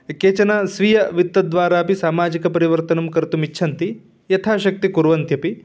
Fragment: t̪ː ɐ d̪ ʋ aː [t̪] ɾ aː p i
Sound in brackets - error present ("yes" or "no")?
yes